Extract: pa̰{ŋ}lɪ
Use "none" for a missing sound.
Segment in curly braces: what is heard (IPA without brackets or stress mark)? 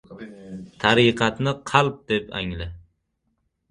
ŋ